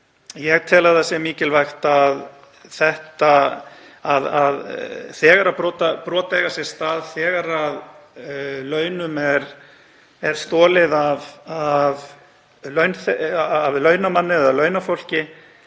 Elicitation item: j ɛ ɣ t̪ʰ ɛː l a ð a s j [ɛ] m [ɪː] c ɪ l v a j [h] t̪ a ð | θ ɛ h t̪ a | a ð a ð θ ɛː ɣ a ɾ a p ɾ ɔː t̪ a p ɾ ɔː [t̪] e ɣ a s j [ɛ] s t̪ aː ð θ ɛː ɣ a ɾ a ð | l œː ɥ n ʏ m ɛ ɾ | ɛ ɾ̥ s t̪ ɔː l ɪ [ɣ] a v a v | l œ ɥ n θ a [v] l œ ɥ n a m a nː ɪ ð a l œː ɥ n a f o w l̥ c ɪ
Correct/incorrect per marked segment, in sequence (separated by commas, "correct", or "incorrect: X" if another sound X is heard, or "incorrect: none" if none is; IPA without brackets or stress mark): correct, incorrect: iː, incorrect: x, correct, correct, incorrect: ð, correct